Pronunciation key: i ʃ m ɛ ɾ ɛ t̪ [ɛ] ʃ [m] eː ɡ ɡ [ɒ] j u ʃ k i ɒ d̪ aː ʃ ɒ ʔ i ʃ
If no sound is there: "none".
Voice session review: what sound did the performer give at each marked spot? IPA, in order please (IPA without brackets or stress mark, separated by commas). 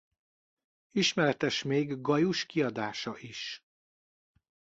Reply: ɛ, m, ɒ